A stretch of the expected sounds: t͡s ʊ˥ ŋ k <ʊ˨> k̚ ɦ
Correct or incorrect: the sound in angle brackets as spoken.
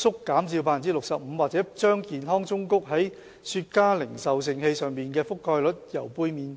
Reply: incorrect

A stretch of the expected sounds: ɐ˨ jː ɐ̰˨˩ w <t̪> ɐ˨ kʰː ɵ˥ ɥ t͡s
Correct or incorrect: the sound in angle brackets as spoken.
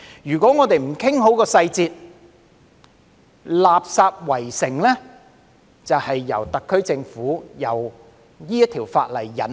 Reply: correct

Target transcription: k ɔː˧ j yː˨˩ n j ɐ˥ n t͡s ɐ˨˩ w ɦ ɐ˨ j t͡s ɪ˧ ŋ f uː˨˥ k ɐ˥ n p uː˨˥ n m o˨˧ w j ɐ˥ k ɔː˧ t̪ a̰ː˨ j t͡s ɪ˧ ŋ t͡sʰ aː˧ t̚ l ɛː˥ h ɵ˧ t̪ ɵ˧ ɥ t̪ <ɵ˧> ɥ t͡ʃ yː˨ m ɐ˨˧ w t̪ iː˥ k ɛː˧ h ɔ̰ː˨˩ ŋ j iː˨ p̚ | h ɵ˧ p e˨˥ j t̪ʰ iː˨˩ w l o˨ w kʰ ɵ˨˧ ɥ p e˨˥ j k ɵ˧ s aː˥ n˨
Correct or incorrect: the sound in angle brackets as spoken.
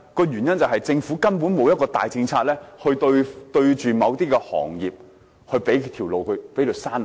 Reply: correct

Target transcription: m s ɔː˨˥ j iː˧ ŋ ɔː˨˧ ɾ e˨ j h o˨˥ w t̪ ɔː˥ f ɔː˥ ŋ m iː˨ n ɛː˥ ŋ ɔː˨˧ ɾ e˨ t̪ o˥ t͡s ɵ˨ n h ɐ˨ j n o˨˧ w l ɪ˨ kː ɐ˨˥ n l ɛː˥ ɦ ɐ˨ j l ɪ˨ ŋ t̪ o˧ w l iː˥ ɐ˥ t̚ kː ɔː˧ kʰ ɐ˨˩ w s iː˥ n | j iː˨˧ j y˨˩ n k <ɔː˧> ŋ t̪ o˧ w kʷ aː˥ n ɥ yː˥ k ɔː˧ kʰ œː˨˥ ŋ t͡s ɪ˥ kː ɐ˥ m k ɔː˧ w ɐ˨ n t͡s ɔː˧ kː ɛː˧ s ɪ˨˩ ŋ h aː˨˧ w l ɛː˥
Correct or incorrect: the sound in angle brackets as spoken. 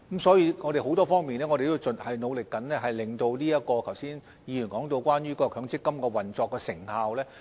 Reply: incorrect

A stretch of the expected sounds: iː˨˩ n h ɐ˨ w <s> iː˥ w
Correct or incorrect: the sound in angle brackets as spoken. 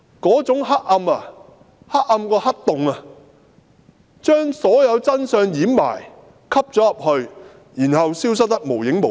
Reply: correct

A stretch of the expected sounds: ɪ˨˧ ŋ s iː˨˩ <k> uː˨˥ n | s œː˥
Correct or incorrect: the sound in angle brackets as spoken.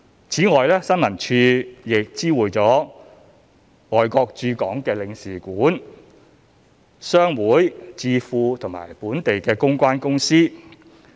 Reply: correct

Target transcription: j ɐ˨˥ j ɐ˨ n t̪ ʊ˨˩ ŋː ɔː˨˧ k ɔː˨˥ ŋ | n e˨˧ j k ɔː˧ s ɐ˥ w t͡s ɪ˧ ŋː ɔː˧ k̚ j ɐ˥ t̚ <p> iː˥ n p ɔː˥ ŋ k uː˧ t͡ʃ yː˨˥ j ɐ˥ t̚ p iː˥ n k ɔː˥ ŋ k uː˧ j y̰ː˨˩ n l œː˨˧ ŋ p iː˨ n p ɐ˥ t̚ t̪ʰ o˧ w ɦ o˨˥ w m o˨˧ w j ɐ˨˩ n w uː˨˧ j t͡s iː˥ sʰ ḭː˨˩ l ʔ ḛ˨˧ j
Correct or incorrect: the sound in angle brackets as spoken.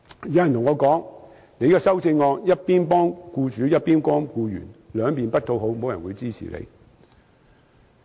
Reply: correct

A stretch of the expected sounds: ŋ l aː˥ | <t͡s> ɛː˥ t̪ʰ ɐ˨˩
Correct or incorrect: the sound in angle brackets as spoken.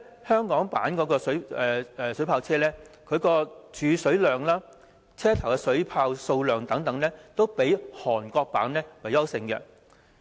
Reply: incorrect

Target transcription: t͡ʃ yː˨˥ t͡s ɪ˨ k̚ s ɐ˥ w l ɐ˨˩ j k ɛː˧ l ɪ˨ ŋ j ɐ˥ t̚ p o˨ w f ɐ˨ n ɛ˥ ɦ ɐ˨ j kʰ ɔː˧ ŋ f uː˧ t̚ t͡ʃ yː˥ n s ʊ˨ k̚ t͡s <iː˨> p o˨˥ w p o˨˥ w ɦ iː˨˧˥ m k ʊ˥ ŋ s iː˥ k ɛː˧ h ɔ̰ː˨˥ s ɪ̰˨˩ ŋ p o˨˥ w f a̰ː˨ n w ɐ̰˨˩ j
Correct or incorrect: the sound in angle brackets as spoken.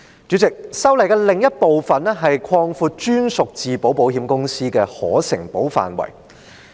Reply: correct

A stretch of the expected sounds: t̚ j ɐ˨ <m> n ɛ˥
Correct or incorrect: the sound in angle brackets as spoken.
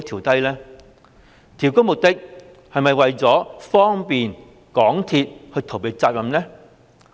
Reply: correct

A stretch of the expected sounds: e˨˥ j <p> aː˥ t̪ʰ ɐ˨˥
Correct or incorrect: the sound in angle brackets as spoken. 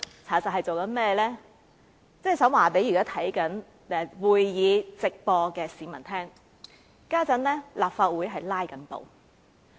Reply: incorrect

